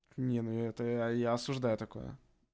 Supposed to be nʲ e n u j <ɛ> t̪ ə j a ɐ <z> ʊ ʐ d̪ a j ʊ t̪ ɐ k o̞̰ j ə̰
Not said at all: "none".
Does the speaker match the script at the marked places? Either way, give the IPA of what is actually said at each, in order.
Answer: ɛ, s

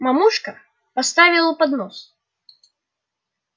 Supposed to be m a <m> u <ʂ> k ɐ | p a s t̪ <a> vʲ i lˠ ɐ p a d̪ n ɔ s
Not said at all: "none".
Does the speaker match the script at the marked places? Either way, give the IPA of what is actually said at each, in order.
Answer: m, ʂ, a

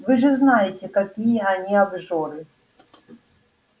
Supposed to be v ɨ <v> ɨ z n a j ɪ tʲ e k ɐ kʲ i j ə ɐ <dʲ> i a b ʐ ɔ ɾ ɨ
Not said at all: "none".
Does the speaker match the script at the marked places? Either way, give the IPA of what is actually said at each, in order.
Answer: ʐ, nʲ

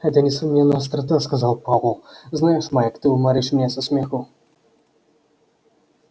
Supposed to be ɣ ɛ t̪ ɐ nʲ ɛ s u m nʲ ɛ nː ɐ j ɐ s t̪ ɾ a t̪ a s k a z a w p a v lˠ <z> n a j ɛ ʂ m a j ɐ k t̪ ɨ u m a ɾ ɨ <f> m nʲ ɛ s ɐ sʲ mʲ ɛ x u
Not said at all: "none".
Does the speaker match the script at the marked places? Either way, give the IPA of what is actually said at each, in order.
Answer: z, ʂ

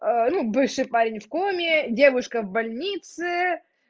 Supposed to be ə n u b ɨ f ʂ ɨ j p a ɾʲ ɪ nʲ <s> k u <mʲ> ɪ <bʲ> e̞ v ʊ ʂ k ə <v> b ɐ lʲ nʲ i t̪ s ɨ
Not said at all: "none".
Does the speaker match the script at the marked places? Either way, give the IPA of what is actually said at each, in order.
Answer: f, mʲ, dʲ, v

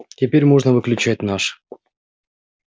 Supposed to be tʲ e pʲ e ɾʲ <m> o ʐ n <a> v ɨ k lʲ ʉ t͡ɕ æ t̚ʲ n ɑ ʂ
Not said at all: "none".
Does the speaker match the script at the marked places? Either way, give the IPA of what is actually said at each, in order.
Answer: m, ə

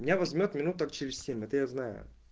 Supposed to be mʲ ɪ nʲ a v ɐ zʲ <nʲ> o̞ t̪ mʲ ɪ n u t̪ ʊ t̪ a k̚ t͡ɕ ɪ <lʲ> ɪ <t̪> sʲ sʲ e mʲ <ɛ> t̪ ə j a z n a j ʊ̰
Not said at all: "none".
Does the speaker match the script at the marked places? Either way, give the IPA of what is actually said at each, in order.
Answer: mʲ, ɾʲ, none, ɛ

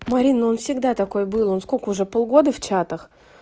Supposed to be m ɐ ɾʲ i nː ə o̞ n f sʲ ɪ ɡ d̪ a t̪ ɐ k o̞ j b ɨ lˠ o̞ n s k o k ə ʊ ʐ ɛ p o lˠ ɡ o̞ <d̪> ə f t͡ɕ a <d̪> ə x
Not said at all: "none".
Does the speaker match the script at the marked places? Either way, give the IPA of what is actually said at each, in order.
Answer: d̪, t̪

